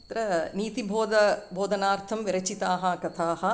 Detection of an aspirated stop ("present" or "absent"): present